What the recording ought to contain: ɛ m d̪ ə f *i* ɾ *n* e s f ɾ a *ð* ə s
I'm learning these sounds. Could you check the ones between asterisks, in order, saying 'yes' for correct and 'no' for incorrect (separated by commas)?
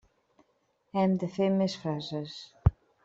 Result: no, no, no